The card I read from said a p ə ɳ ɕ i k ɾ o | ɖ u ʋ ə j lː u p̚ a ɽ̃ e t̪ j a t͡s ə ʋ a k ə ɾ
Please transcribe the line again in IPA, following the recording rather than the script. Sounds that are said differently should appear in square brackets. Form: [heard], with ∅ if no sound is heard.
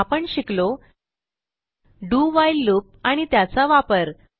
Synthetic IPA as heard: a p ə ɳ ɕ i k [l] o | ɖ u ʋ [a] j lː u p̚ a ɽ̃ [i] t̪ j a t͡s [a] ʋ a [p] ə ɾ